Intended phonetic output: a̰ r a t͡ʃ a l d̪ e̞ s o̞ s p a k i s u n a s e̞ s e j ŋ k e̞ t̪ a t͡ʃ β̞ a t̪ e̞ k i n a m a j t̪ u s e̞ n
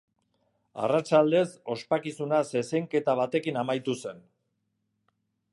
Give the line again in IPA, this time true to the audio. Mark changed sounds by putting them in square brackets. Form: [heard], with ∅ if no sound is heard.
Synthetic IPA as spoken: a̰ r a t͡ʃ a l d̪ e̞ s o̞ s p a k i s u n a s e̞ s e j ŋ k e̞ t̪ a [∅] β̞ a t̪ e̞ k i n a m a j t̪ u s e̞ n